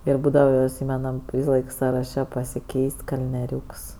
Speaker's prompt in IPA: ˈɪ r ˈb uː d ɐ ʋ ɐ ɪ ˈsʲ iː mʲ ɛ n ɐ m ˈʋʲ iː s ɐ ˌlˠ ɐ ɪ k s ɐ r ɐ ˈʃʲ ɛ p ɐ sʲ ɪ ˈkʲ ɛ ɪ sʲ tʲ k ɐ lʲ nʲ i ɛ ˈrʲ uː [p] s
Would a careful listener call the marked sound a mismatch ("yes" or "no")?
yes